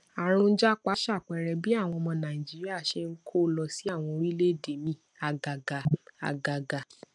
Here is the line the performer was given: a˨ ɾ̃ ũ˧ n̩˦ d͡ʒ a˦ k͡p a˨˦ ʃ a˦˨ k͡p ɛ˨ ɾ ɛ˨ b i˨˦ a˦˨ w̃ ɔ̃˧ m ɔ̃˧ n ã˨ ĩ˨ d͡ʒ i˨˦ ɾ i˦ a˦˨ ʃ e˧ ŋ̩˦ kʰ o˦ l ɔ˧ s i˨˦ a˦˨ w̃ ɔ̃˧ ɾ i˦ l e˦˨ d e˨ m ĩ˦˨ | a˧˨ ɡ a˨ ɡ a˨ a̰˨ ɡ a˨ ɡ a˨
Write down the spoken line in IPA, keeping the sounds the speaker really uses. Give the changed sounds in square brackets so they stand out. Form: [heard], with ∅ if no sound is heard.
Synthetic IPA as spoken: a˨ ɾ̃ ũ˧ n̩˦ d͡ʒ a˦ k͡p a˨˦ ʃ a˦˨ k͡p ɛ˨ ɾ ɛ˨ b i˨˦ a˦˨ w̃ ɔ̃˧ m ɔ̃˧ n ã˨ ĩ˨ d͡ʒ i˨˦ ɾ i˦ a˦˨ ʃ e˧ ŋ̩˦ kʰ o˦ l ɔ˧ s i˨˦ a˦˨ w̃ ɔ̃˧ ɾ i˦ l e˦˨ d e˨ m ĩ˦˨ | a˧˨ ɡ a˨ ɡ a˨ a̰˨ ɡ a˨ ɡ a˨

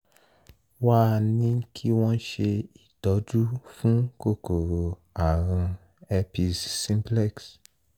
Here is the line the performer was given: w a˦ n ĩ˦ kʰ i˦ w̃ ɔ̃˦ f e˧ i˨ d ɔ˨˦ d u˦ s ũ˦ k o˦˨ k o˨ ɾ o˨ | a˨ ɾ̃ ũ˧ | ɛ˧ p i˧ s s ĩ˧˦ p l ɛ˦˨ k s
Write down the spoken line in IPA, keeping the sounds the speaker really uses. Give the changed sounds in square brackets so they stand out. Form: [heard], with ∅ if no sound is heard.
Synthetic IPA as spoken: w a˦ n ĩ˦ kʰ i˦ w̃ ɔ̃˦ [ʃ] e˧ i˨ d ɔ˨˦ [d͡ʒ] u˦ [f] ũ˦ k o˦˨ k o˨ ɾ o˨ | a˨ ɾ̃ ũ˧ | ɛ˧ p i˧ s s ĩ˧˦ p l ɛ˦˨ k s

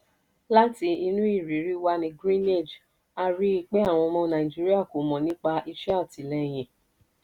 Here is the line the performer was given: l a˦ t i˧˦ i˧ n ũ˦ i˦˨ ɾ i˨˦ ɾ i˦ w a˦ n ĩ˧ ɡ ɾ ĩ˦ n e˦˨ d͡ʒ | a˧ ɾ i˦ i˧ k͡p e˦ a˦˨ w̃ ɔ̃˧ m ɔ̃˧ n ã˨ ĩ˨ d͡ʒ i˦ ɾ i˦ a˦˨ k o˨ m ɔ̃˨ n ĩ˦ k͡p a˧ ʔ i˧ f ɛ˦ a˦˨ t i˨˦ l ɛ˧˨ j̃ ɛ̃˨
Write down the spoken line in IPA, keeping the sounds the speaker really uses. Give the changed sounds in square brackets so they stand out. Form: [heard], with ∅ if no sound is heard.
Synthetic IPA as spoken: l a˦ t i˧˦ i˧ n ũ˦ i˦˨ ɾ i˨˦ ɾ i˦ w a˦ n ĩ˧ ɡ ɾ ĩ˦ n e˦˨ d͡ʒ | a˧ ɾ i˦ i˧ k͡p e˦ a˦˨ w̃ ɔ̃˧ m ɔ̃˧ n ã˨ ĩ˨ d͡ʒ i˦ ɾ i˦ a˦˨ k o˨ m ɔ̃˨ n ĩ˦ k͡p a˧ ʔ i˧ [ʃ] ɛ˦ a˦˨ t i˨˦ l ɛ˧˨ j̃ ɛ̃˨

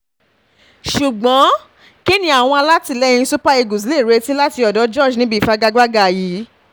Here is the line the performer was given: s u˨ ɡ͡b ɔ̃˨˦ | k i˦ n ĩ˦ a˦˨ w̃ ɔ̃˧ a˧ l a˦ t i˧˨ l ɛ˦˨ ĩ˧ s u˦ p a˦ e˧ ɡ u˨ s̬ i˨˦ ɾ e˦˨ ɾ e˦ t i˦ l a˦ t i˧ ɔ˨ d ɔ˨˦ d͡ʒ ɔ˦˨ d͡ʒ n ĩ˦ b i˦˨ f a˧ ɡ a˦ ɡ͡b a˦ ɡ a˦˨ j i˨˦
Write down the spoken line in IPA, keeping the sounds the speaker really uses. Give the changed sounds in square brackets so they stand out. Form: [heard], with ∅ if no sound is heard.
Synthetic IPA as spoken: [ʃ] u˨ ɡ͡b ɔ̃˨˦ | k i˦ n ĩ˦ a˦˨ w̃ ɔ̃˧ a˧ l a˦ t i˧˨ l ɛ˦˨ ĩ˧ s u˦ p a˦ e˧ ɡ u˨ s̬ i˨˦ [l] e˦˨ ɾ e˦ t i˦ l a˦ t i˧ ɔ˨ d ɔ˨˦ d͡ʒ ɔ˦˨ d͡ʒ n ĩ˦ b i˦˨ f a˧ ɡ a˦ ɡ͡b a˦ ɡ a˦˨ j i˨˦

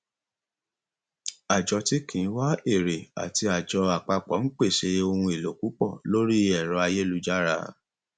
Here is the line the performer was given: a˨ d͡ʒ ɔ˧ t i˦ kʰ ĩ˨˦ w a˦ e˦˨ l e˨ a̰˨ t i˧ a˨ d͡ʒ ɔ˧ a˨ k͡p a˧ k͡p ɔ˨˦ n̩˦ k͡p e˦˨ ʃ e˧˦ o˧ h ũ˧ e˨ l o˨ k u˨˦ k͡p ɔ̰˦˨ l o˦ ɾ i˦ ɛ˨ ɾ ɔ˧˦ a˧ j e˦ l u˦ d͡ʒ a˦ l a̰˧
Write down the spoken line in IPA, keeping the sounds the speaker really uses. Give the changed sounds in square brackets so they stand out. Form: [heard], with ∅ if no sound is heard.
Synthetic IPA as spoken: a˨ d͡ʒ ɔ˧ t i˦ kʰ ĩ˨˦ w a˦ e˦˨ [ɾ] e˨ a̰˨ t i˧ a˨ d͡ʒ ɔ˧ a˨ k͡p a˧ k͡p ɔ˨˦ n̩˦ k͡p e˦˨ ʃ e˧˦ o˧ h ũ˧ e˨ l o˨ k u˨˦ k͡p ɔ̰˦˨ l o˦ ɾ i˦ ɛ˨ ɾ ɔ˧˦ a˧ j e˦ l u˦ d͡ʒ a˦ [ɾ] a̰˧

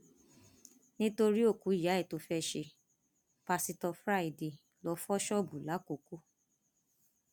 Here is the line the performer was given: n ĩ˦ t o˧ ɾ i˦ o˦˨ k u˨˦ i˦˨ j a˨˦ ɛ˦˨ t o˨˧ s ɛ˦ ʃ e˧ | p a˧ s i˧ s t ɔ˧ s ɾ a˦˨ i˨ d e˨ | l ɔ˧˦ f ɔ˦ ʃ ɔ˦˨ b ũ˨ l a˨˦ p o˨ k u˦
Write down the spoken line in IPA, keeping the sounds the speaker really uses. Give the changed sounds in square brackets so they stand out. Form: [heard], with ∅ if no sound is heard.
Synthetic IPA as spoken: n ĩ˦ t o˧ ɾ i˦ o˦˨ k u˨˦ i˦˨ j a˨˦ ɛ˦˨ t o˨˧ [f] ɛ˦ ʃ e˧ | p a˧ s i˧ [∅] t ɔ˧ [f] ɾ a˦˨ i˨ d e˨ | l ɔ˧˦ f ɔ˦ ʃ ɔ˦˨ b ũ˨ l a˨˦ [k] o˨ k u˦

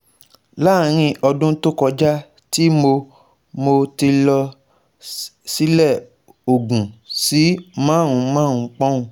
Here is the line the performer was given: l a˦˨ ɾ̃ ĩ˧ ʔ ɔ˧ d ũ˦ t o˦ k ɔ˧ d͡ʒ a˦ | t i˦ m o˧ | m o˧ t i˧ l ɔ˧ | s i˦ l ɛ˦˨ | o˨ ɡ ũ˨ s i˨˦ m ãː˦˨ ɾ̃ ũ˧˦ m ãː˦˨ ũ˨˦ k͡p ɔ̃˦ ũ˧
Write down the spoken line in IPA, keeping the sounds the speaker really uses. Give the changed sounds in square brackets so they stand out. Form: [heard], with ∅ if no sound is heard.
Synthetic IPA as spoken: l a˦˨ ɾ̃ ĩ˧ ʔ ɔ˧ d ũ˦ t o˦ k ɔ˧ d͡ʒ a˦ | t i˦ m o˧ | m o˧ t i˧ l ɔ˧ | s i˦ l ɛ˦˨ | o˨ ɡ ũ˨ s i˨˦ m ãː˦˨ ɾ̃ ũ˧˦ m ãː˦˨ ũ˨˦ k͡p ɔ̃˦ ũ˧

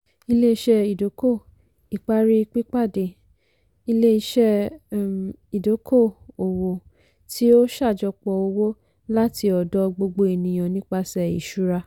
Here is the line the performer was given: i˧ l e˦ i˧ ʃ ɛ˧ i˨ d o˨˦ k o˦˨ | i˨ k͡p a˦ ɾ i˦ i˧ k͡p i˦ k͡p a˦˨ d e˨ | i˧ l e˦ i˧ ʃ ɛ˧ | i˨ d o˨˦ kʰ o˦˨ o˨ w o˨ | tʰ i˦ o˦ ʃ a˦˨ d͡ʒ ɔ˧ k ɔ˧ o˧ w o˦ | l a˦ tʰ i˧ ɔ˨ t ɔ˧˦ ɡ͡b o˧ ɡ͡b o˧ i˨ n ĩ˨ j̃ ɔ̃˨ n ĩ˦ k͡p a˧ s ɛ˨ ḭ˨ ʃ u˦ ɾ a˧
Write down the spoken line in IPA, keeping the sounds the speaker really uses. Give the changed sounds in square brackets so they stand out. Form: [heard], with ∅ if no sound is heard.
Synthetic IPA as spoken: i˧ l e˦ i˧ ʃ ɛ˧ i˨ d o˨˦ k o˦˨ | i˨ k͡p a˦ ɾ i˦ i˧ k͡p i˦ k͡p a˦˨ d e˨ | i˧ l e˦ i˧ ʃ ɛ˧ | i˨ d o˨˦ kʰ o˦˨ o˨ w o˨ | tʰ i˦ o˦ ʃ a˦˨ d͡ʒ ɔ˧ [k͡p] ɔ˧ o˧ w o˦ | l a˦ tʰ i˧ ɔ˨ [d] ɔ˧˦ ɡ͡b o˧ ɡ͡b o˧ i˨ n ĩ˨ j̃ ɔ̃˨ n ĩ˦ k͡p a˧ s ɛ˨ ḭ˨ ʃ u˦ ɾ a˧

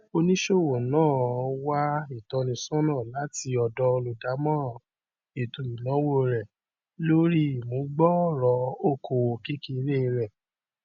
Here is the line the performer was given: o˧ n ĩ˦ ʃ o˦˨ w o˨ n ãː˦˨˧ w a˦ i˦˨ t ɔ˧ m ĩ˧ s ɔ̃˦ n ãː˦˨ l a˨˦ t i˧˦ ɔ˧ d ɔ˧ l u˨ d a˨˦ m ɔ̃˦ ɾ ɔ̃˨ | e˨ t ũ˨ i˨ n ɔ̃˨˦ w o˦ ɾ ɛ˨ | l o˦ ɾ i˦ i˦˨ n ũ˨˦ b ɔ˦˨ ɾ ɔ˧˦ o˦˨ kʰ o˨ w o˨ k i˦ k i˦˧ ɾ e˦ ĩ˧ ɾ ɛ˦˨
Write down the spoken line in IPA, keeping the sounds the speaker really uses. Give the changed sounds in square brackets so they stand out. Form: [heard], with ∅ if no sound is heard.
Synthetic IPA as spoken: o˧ n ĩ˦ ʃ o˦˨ w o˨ n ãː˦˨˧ w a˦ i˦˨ t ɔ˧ [n] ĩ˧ s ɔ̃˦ n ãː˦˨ l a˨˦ t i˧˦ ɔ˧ d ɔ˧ l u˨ d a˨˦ m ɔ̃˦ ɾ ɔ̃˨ | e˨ t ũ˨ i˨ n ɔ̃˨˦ w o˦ ɾ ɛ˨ | l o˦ ɾ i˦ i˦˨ [m] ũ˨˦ [ɡ͡b] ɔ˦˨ ɾ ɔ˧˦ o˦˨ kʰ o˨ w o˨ k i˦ k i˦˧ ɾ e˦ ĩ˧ ɾ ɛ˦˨

